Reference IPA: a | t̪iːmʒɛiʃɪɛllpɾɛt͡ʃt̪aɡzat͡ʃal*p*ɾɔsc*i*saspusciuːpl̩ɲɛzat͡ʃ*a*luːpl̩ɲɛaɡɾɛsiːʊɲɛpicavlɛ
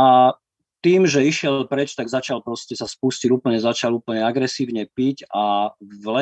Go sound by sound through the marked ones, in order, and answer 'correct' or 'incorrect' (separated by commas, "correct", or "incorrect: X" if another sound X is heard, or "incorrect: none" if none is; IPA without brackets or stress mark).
correct, incorrect: ɛ, correct